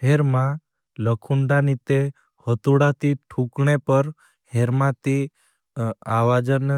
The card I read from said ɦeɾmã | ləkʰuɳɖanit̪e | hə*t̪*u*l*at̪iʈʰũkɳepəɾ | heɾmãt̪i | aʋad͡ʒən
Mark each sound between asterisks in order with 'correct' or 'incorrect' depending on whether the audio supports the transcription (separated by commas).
correct, incorrect